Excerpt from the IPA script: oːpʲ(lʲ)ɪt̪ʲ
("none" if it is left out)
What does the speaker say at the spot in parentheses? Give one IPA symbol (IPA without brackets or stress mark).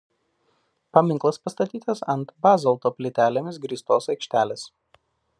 lʲ